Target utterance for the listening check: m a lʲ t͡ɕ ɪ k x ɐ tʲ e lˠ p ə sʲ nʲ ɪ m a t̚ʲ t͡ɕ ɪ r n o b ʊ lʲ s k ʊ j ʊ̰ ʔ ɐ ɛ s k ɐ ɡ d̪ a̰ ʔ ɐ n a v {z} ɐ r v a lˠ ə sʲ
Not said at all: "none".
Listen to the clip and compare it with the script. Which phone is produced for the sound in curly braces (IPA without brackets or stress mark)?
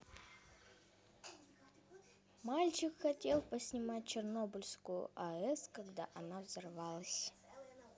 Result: z